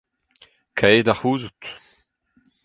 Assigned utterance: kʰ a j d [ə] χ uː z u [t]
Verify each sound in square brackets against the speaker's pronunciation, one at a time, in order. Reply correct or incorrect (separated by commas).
incorrect, correct